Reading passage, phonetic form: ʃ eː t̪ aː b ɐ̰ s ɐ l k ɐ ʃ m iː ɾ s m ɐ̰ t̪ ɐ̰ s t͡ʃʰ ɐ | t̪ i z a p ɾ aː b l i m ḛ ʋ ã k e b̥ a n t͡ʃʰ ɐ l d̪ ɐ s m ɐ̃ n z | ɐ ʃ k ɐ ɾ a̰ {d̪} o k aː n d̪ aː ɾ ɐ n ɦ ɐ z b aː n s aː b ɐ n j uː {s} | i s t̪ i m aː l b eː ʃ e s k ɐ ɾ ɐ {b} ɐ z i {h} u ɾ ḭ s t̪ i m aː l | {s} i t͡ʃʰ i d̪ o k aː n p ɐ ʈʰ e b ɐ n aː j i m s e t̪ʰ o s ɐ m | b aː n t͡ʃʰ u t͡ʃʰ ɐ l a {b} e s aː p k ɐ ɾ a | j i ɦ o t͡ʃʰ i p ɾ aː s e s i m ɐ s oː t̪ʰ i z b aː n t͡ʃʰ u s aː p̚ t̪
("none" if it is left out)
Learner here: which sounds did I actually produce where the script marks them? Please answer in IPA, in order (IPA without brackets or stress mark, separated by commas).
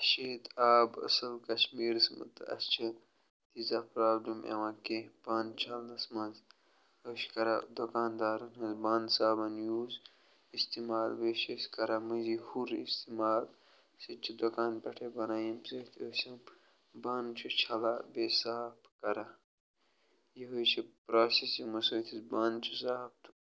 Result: d̪, z, m, h, s, b